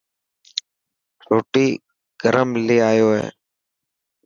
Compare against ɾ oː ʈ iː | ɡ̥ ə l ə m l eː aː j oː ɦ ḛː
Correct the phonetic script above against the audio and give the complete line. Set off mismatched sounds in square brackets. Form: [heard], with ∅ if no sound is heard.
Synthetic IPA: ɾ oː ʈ iː | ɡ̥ ə [ɾ] ə m l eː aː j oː ɦ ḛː